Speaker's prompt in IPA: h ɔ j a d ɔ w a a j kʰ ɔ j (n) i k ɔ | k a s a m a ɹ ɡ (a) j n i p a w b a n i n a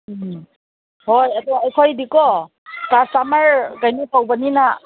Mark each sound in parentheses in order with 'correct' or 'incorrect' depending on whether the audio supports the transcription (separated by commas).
incorrect, correct